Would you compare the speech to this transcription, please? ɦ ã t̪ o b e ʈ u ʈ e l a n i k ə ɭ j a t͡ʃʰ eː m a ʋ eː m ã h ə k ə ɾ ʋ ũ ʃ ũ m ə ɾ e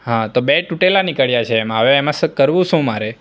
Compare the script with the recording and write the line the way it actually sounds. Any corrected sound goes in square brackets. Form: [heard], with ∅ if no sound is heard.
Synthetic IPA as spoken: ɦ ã t̪ o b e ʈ u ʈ e l a n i k ə ɭ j a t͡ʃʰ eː m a ʋ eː m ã [s] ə k ə ɾ ʋ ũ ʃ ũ m [a] ɾ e